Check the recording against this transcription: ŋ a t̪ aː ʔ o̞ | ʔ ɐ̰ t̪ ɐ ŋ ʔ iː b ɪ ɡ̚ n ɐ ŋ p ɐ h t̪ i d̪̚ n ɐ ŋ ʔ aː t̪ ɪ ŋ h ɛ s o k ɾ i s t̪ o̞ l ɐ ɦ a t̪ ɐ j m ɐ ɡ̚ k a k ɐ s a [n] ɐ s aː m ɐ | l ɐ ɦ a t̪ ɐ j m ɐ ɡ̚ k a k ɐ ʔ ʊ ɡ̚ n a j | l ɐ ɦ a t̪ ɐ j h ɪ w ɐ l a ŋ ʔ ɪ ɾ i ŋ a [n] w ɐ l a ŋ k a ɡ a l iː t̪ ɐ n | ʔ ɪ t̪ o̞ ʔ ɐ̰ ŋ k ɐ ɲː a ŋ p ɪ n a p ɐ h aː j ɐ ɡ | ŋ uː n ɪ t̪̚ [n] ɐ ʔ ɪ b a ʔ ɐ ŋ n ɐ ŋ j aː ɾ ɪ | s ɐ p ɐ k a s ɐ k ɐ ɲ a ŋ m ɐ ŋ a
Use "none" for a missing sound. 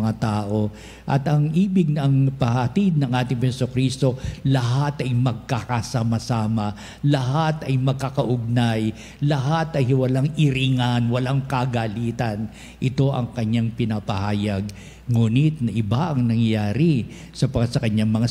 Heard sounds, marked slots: m, n, n

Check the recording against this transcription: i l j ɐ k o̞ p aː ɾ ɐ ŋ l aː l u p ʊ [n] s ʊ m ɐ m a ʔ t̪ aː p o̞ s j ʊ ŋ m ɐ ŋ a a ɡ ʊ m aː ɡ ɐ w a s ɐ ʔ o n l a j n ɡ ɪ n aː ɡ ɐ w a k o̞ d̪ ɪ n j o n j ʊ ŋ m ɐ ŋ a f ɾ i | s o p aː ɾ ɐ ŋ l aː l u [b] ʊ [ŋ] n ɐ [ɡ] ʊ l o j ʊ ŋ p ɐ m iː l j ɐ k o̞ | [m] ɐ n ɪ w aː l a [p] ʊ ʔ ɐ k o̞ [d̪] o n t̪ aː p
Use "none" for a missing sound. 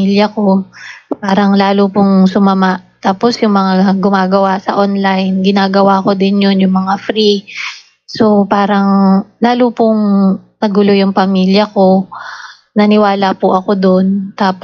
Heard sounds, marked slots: ŋ, p, ŋ, ɡ, n, p, d̪

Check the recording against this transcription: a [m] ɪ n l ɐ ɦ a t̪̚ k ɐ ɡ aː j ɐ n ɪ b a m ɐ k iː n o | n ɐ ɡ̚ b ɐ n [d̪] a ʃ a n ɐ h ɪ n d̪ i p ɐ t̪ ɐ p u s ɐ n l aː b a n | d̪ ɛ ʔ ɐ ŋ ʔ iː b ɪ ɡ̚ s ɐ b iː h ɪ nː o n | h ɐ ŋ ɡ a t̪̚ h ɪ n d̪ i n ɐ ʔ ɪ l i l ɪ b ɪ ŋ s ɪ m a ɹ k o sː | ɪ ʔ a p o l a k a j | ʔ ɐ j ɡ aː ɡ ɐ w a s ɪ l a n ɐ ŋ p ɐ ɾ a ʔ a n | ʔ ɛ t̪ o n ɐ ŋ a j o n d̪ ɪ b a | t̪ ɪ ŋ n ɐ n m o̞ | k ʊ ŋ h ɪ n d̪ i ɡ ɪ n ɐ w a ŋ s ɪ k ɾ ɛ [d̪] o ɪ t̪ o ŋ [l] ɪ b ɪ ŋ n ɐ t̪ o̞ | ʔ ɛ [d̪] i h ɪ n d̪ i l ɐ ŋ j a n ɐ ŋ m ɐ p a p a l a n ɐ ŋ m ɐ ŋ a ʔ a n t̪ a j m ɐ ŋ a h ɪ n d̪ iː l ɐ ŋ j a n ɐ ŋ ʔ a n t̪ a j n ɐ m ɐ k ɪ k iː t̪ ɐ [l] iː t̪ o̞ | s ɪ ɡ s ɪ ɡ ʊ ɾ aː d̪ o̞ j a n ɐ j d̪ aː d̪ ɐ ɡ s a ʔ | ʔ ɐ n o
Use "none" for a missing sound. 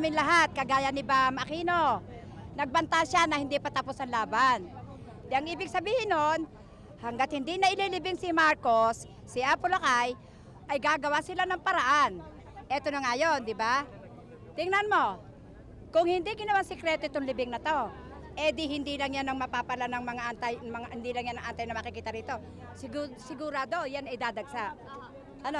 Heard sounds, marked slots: m, t̪, t̪, l, d̪, ɾ

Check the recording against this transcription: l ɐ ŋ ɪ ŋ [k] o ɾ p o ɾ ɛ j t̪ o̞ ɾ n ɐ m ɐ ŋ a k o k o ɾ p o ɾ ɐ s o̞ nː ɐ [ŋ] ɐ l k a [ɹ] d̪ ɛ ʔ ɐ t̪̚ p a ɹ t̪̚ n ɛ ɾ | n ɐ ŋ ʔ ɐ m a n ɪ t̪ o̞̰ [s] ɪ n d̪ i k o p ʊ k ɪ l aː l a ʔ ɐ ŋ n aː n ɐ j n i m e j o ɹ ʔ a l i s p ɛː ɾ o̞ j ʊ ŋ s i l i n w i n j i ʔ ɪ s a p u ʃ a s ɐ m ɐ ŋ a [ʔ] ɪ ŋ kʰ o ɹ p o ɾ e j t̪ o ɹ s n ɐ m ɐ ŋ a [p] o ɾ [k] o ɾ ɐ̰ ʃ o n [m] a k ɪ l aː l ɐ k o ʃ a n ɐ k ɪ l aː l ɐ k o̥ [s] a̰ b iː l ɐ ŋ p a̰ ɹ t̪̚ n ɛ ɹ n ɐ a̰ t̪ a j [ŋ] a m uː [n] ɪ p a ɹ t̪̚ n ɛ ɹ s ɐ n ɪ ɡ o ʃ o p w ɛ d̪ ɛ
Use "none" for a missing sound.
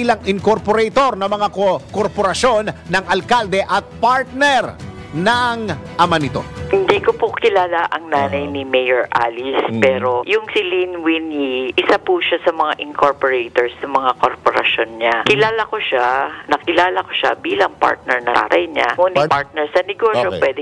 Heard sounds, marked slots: k, ŋ, l, h, ʔ, k, p, ɲ, ʃ, ɲ, n

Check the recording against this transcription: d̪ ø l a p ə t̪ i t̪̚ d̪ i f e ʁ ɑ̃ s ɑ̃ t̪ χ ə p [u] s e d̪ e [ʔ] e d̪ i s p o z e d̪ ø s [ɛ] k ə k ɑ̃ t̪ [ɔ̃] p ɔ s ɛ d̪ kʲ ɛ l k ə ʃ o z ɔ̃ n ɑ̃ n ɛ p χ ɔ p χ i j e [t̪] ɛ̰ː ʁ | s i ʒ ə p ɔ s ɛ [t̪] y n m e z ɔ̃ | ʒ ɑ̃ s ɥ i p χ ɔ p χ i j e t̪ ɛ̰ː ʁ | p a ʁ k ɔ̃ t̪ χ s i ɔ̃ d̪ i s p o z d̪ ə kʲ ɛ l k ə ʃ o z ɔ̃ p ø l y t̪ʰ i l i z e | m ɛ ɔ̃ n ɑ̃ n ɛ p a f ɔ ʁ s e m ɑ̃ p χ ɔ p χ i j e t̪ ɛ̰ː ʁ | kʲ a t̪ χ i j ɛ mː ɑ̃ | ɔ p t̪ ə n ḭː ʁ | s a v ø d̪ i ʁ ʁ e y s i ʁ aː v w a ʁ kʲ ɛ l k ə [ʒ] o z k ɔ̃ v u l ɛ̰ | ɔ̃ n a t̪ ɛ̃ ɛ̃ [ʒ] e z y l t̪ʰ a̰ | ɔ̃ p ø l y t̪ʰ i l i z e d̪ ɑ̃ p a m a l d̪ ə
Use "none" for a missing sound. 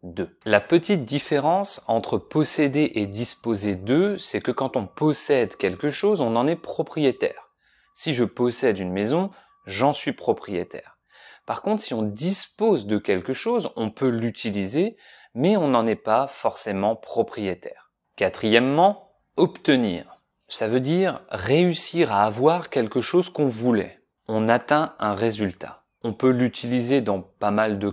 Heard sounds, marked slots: ɔ, ʔ, ɛ, ɔ̃, t̪, d̪, ʃ, ʁ

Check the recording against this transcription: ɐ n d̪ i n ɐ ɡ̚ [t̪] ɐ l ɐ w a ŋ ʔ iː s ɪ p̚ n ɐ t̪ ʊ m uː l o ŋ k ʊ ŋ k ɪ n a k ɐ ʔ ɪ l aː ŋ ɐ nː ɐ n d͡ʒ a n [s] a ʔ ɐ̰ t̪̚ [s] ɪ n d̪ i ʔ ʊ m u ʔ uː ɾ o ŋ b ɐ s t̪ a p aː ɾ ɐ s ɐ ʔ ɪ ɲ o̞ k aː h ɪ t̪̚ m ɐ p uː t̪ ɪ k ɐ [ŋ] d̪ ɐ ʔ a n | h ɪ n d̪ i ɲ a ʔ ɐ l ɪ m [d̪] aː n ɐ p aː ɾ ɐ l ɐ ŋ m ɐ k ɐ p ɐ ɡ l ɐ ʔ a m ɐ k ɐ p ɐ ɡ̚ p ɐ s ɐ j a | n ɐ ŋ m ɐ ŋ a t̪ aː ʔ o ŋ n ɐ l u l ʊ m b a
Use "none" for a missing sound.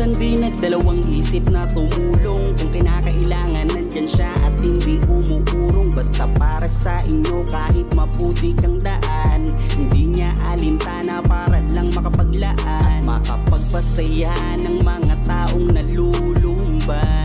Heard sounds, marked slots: d̪, ʃ, h, ŋ, t̪

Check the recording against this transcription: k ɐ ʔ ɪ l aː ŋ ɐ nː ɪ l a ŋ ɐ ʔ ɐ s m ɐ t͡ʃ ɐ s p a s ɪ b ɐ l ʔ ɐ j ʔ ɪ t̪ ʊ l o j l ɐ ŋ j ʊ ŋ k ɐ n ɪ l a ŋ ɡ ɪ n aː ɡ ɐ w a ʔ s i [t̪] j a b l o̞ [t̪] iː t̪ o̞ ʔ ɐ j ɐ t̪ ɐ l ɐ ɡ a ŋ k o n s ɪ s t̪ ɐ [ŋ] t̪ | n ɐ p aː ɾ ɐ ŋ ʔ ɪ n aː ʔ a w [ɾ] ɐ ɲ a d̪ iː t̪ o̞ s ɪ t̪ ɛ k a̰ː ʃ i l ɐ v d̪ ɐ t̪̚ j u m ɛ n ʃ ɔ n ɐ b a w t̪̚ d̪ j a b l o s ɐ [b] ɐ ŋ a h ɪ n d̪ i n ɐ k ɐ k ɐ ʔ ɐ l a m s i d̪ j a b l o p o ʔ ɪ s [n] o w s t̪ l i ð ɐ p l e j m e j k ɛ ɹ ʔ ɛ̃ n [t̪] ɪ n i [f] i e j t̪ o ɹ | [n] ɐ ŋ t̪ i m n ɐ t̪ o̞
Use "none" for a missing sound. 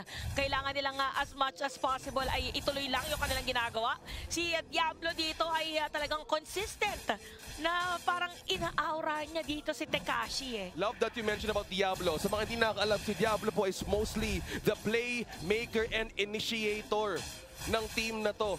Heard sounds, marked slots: d̪, d̪, n, ɾ, m, m, d̪, ʃ, n

